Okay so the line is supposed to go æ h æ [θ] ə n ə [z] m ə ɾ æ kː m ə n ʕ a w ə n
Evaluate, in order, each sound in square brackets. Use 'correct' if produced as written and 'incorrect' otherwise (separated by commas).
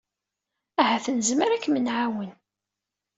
correct, correct